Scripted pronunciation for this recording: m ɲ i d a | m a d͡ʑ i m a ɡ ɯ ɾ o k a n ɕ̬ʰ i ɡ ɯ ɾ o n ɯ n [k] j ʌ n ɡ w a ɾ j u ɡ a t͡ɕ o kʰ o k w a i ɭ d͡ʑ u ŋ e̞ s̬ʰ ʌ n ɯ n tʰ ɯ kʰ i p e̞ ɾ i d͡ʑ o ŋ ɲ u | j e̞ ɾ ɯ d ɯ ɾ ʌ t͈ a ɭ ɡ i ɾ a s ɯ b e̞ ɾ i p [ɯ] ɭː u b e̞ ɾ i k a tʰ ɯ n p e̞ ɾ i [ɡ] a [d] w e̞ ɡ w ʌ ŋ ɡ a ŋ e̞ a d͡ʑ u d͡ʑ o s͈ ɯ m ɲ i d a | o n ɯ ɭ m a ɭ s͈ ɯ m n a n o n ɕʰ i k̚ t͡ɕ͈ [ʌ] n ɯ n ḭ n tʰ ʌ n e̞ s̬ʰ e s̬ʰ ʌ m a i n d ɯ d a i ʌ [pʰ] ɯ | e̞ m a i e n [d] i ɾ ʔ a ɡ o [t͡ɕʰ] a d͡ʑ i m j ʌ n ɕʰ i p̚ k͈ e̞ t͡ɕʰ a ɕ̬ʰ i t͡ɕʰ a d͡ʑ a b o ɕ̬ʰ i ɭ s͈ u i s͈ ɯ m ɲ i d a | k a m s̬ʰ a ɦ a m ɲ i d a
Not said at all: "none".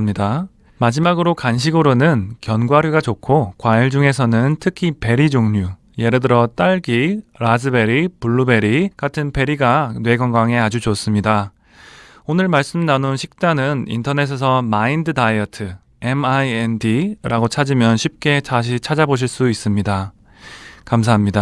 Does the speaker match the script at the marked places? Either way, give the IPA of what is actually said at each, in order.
k, u, ɡ, n, a, tʰ, d, t͡ɕʰ

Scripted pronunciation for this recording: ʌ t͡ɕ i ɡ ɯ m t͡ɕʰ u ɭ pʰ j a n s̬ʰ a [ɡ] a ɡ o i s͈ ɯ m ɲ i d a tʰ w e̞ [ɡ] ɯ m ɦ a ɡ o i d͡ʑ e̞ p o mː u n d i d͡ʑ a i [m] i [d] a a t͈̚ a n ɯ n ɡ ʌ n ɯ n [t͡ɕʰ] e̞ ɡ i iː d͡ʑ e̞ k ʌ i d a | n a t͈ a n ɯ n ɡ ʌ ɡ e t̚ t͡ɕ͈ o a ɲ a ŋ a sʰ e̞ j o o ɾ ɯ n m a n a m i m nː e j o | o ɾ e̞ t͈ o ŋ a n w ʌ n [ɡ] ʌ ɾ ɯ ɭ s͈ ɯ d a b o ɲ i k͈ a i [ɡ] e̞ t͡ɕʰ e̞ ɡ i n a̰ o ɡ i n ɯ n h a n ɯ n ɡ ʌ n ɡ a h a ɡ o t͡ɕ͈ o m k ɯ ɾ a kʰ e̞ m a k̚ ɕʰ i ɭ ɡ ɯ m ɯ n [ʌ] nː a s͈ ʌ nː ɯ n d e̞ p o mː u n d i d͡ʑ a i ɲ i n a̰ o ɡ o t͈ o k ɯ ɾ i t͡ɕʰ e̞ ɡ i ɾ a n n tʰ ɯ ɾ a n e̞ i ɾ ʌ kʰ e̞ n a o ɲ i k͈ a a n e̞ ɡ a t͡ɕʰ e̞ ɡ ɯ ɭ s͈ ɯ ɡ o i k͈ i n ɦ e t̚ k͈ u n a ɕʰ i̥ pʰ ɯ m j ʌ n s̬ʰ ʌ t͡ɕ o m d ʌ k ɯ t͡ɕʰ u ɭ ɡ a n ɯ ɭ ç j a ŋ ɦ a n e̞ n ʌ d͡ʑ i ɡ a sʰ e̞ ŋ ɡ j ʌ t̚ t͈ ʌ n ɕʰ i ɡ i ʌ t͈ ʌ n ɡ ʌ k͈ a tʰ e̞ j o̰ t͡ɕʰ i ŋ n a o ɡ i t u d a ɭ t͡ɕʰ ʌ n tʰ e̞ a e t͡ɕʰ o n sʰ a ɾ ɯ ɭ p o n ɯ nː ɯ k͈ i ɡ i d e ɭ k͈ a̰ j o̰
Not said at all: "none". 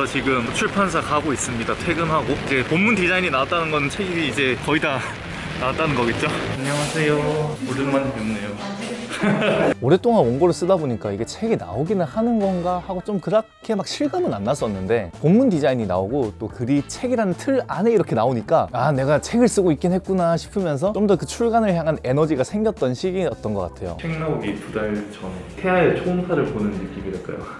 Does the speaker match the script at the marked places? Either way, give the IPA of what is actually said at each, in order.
k, ɡ, ɲ, n, t͡ɕʰ, ɡ, ɡ, a

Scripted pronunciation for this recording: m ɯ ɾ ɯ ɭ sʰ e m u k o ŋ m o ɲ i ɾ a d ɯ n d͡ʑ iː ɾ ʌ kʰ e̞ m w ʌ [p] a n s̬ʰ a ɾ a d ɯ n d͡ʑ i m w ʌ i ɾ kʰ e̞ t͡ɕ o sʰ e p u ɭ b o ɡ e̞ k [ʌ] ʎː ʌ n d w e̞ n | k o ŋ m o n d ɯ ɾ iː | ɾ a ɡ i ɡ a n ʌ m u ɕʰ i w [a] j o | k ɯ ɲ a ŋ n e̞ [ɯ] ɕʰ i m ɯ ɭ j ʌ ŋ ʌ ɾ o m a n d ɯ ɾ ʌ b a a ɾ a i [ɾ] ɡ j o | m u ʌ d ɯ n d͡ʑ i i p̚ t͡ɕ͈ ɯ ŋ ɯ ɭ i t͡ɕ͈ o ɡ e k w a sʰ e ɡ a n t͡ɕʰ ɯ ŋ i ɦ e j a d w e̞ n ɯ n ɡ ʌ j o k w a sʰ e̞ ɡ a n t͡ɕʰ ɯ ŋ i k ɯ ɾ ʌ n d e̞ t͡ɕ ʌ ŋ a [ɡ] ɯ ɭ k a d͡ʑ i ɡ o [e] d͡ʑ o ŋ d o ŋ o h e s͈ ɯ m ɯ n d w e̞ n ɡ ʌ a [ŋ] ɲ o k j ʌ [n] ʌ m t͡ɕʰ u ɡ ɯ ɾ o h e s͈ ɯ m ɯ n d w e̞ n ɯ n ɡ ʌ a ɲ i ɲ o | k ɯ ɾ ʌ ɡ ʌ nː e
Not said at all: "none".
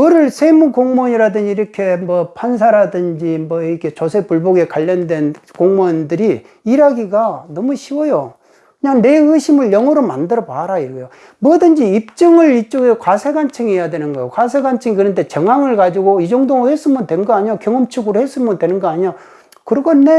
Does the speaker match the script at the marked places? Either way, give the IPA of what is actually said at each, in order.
pʰ, a, ʌ, ɯ, ɾ, ŋ, i, ɲ, ŋ

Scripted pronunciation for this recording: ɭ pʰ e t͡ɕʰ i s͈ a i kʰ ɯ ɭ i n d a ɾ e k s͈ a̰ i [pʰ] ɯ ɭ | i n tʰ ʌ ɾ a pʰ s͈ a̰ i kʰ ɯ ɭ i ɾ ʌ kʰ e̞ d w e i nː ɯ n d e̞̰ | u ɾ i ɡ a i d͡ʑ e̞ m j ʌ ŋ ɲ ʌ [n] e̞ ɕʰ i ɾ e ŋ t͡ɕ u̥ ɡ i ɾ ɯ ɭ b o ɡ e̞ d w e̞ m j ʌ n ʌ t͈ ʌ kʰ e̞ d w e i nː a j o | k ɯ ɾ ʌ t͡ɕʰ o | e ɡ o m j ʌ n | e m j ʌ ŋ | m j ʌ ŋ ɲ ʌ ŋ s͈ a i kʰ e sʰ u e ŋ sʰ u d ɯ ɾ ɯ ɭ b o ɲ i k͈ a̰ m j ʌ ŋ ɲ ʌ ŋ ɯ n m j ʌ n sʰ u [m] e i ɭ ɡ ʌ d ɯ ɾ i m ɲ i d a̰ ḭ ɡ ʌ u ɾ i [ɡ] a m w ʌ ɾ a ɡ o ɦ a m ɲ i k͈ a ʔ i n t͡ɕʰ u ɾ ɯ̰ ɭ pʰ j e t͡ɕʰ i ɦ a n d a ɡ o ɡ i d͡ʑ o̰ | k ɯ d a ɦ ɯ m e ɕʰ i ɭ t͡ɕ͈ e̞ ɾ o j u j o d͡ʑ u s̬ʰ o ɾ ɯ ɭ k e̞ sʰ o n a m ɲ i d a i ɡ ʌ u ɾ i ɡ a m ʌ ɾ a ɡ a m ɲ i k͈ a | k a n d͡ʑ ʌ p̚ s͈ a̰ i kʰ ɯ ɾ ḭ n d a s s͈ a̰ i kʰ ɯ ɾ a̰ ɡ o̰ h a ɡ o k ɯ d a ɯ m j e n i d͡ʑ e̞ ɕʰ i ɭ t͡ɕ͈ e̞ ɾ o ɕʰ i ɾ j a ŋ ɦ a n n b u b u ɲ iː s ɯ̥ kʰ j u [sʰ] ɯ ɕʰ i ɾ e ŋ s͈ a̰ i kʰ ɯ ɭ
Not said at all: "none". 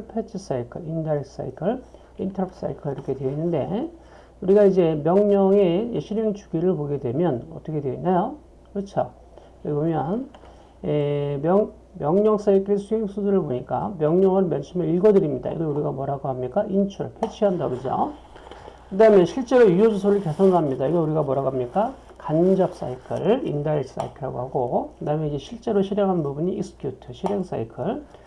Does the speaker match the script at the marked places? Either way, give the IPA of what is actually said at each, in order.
kʰ, ŋ, m, ɡ, tʰ

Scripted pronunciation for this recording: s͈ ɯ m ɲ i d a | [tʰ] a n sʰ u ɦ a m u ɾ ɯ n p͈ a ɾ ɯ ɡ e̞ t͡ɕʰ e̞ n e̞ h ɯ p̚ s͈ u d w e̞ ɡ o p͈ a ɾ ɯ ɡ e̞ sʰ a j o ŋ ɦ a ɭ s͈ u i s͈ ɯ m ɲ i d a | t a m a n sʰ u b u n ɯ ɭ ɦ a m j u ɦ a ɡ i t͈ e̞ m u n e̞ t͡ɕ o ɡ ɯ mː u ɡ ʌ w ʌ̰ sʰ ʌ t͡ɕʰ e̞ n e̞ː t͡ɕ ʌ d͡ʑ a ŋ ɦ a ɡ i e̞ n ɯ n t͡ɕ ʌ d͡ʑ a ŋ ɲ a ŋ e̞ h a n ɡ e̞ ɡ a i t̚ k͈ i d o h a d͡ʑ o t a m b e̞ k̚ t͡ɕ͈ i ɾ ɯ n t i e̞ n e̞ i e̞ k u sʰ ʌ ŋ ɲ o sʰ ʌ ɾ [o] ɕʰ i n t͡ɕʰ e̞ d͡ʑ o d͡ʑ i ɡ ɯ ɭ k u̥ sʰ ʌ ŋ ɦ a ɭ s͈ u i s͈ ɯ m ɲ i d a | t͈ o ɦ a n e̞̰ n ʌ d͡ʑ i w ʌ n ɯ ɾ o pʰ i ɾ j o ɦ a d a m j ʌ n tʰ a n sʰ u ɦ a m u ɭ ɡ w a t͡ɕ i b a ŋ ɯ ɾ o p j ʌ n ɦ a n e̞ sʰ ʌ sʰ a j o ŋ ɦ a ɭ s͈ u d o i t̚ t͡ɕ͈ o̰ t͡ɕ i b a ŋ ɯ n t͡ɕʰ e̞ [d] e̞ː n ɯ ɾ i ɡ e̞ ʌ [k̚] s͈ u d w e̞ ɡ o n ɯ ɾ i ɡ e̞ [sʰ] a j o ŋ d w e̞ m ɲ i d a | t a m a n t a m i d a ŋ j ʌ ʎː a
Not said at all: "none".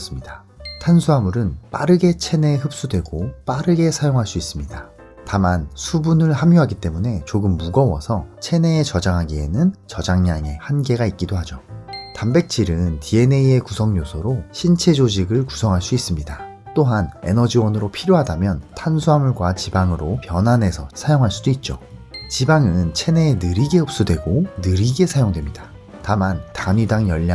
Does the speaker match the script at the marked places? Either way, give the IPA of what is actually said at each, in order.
tʰ, o, n, p̚, sʰ

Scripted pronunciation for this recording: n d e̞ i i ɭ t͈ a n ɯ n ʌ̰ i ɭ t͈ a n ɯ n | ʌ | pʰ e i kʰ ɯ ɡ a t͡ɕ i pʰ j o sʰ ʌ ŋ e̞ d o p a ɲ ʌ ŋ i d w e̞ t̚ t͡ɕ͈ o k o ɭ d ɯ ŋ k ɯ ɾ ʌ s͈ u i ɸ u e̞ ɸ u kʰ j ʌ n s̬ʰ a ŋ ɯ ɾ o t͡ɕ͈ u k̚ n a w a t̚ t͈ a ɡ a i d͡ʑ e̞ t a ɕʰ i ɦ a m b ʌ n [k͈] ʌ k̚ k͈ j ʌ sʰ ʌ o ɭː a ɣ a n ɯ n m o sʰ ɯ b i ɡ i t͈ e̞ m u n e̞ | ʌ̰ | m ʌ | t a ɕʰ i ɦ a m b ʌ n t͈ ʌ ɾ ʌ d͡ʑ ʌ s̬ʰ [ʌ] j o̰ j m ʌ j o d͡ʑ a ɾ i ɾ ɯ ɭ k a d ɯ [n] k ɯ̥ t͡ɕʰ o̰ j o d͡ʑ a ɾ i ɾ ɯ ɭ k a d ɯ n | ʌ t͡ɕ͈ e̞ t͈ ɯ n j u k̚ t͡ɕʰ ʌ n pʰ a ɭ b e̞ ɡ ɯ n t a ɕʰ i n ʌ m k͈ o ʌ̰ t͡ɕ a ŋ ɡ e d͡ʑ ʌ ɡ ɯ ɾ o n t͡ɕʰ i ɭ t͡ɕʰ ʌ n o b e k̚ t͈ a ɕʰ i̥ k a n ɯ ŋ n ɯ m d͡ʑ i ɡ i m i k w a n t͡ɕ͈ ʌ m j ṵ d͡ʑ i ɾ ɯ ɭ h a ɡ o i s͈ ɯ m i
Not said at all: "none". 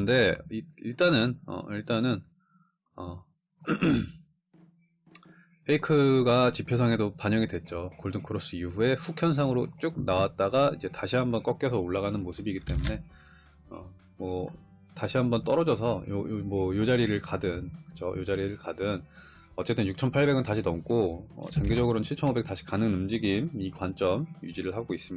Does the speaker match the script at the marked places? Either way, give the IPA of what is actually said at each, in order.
k͈, ʌ, n

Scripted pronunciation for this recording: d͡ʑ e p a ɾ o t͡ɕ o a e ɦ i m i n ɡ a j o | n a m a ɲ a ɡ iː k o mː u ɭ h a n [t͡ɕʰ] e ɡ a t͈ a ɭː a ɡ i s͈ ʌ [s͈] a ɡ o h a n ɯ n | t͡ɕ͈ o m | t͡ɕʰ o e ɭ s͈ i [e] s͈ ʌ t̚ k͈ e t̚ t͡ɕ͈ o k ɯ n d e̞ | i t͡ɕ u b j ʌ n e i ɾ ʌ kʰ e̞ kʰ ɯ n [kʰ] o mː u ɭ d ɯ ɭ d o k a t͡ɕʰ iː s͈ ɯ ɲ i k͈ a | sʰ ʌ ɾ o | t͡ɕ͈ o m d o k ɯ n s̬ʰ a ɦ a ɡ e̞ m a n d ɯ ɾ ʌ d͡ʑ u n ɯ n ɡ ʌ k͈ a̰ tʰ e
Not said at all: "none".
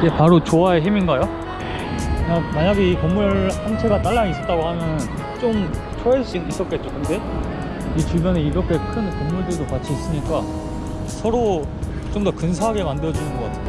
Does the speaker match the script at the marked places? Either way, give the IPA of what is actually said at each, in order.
t͡ɕʰ, t͈, i, k

